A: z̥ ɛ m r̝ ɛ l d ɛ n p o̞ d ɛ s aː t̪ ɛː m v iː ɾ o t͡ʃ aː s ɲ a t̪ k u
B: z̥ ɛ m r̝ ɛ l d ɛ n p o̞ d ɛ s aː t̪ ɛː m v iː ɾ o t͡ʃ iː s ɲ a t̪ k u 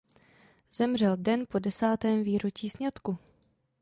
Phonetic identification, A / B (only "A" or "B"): B